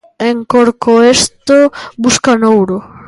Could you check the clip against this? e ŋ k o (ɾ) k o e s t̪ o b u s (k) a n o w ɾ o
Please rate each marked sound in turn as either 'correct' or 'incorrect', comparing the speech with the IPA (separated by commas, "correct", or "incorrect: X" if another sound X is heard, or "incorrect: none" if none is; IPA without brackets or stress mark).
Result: correct, correct